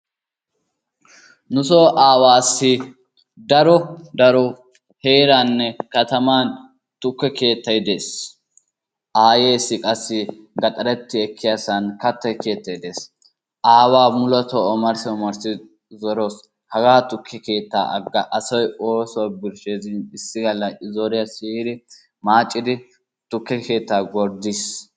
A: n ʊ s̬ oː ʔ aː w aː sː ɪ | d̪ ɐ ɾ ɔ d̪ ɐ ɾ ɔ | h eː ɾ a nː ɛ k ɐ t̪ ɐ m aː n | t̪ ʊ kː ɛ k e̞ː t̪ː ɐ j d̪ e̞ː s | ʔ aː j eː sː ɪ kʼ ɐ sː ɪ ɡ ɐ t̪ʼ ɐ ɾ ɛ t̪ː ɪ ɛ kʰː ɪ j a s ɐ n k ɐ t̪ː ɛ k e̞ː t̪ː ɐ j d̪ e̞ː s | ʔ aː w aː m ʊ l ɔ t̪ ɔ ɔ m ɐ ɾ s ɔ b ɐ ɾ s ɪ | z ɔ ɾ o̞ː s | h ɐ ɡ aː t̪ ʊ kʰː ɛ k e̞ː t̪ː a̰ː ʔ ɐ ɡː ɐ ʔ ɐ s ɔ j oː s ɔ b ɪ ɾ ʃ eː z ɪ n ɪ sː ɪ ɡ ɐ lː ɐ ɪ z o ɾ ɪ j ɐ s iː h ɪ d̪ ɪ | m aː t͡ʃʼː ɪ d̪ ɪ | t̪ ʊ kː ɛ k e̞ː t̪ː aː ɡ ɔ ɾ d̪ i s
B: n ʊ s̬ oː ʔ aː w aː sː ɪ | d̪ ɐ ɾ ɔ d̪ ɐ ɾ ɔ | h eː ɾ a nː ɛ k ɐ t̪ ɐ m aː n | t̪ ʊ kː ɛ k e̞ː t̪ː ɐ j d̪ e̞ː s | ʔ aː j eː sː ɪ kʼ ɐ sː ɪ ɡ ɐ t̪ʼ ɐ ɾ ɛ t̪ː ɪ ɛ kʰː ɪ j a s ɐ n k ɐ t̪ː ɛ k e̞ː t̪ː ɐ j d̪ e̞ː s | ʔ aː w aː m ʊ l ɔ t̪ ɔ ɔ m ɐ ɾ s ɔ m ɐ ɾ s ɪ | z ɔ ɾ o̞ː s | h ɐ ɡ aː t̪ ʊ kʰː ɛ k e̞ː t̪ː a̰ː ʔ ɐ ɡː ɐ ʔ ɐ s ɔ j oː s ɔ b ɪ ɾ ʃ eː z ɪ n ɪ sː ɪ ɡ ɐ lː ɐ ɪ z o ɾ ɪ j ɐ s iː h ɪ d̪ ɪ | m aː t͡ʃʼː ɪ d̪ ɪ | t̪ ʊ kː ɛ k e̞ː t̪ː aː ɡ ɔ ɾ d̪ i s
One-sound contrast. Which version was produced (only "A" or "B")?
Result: B